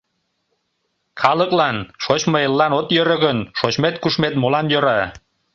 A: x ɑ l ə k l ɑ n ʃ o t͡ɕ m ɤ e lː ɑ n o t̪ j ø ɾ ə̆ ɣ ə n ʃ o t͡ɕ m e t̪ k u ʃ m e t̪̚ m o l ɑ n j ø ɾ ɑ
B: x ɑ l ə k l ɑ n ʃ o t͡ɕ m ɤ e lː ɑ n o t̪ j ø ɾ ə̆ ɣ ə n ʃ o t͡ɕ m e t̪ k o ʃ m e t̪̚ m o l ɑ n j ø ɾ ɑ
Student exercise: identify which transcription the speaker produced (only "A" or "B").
A